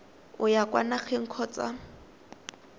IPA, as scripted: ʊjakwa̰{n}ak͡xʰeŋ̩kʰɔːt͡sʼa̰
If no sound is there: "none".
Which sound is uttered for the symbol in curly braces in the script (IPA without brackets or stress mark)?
n